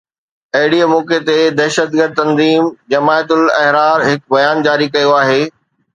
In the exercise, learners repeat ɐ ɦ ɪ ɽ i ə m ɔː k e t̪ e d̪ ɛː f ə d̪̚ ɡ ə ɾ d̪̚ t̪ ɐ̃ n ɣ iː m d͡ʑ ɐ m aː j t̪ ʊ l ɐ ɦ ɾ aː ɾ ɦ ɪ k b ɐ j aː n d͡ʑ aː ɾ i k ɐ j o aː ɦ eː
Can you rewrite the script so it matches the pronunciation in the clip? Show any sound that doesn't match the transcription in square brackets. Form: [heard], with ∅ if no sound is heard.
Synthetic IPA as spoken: ɐ ɦ ɪ ɽ i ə m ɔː k e t̪ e d̪ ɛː [ʃ] ə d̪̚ ɡ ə ɾ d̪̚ t̪ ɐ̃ n [z] iː m d͡ʑ ɐ m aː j t̪ ʊ l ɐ ɦ ɾ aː ɾ ɦ ɪ k b ɐ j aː n d͡ʑ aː ɾ i k ɐ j o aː ɦ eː